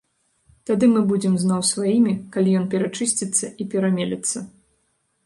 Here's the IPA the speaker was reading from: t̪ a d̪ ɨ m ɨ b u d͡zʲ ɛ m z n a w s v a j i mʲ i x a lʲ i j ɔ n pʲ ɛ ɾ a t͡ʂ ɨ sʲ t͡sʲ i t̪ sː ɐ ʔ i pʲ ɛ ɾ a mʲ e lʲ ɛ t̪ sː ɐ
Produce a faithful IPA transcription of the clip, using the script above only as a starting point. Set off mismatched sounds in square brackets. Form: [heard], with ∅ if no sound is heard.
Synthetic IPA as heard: t̪ a d̪ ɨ m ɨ b u d͡zʲ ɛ m z n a w s v a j i mʲ i [k] a lʲ i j ɔ n pʲ ɛ ɾ a t͡ʂ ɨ sʲ t͡sʲ i t̪ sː ɐ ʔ i pʲ ɛ ɾ a mʲ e lʲ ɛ t̪ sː ɐ